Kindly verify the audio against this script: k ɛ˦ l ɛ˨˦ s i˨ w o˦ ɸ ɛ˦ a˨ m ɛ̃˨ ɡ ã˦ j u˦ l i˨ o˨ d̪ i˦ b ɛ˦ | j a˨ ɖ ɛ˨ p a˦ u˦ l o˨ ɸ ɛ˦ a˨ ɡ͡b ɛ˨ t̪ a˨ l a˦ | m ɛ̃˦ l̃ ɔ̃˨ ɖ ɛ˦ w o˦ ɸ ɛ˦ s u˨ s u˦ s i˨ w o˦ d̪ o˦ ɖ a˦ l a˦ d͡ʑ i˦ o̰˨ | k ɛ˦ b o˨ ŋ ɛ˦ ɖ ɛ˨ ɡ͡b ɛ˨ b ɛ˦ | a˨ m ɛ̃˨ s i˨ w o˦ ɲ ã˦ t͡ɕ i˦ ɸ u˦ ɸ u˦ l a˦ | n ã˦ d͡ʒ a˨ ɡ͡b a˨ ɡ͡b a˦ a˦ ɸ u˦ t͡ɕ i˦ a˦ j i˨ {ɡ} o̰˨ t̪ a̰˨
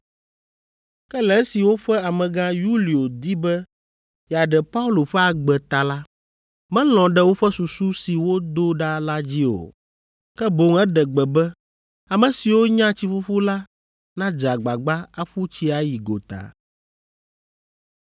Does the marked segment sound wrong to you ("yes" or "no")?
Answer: no